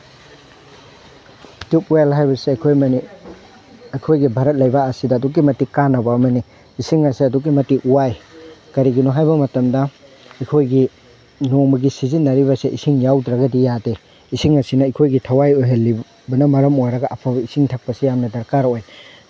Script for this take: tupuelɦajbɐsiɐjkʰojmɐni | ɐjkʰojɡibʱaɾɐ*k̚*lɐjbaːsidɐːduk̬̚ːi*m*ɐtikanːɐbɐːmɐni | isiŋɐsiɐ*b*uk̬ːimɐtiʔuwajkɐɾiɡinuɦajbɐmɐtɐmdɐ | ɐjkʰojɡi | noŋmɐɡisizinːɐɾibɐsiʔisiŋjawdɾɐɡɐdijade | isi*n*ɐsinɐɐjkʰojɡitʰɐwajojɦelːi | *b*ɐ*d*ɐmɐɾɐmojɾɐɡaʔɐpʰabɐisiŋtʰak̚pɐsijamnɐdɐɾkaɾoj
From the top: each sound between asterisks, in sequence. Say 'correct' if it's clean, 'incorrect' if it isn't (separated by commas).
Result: incorrect, correct, incorrect, incorrect, correct, incorrect